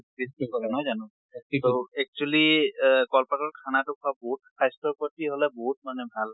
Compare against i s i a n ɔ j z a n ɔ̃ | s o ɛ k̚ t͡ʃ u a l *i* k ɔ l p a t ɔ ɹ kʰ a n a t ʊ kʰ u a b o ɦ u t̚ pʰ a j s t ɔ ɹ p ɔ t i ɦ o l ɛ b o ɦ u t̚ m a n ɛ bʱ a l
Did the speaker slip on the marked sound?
no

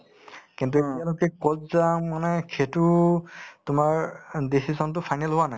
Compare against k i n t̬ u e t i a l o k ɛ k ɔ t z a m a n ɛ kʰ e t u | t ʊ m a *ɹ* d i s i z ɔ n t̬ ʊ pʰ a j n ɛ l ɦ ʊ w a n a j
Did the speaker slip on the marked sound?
no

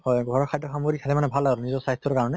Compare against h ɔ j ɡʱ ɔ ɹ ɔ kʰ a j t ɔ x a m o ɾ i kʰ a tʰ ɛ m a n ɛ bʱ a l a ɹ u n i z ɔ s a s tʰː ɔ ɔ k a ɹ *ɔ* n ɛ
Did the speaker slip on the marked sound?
no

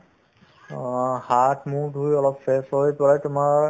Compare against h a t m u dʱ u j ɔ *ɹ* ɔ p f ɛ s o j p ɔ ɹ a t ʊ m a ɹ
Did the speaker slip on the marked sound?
yes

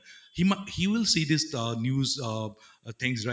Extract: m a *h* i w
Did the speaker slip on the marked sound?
no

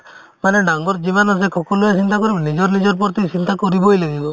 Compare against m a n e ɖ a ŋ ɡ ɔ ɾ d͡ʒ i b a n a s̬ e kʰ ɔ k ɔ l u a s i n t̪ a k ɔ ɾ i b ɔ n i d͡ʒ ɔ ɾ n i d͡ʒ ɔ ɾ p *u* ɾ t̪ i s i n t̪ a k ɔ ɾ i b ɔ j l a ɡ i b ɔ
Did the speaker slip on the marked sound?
yes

